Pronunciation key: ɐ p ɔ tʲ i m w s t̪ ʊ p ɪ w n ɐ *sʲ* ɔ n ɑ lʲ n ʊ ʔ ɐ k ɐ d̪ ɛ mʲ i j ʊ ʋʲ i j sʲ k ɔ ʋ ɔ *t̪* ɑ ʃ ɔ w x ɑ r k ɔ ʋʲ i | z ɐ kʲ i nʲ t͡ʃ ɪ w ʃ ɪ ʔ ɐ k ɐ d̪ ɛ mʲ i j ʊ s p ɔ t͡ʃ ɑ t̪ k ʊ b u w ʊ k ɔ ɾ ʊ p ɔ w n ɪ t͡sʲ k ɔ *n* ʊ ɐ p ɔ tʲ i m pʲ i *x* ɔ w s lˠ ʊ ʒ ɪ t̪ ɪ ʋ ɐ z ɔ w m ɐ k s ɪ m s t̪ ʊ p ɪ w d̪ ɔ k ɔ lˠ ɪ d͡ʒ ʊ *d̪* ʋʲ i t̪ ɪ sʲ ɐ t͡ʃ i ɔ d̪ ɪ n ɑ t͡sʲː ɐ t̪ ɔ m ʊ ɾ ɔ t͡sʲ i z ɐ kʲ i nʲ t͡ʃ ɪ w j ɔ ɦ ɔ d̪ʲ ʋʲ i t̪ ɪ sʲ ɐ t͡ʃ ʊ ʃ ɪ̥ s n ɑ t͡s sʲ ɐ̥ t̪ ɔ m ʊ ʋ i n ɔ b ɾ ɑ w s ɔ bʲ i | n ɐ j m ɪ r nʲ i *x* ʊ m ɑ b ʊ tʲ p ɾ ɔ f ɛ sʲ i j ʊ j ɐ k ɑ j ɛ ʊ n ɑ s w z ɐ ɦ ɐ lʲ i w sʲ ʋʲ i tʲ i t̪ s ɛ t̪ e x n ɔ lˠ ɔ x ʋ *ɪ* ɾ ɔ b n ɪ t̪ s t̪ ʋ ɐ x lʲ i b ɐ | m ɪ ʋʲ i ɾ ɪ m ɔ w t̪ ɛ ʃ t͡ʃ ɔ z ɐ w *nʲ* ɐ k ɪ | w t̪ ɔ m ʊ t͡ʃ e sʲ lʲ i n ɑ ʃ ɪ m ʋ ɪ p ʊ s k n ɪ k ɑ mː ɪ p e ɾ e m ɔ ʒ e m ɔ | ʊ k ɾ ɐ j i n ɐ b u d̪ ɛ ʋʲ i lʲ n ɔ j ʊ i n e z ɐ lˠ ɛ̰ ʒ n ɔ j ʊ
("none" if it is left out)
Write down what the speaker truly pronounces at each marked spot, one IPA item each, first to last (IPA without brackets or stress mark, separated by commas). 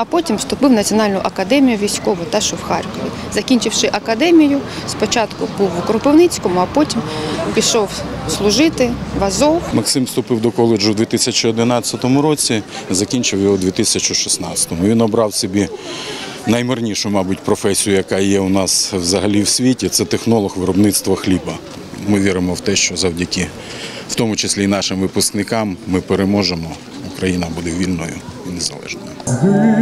t͡sʲ, t̪, m, ʃ, d̪, ʃ, ɪ, dʲ